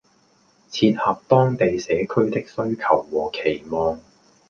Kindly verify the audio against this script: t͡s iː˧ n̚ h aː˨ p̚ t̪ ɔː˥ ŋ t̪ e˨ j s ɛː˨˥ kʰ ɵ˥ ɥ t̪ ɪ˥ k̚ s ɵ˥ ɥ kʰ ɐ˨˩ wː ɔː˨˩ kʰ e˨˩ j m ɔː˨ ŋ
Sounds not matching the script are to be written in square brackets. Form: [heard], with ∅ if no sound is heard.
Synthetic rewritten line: [t͡sʰ] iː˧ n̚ h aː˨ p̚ t̪ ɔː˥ ŋ t̪ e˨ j s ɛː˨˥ kʰ ɵ˥ ɥ t̪ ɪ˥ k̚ s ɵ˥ ɥ kʰ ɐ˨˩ wː ɔː˨˩ kʰ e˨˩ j m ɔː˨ ŋ